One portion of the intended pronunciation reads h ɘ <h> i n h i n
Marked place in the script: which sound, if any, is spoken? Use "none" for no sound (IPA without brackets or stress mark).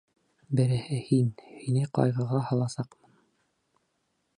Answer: h